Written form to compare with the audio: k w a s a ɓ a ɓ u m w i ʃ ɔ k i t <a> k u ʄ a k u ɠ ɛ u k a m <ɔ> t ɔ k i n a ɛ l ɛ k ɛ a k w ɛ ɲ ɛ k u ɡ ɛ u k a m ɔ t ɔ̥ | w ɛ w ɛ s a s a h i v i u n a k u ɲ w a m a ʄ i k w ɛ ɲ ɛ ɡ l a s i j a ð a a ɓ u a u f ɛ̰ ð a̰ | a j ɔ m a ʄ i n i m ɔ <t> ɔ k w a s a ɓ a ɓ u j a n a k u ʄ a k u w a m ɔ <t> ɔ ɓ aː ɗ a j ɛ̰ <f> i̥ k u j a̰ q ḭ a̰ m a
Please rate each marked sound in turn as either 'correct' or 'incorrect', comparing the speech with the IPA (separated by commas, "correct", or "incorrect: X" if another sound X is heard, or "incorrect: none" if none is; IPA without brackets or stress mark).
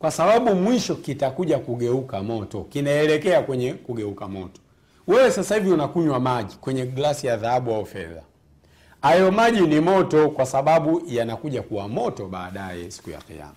correct, correct, correct, correct, incorrect: s